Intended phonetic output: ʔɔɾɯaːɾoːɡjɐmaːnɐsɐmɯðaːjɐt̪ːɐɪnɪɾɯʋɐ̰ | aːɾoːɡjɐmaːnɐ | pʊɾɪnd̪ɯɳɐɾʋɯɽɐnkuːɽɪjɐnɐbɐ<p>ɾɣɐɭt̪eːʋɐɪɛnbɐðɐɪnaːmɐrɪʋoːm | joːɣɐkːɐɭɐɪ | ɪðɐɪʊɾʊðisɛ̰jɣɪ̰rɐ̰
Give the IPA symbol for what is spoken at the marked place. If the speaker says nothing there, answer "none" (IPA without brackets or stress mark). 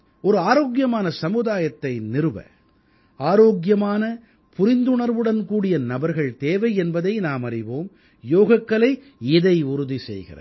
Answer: none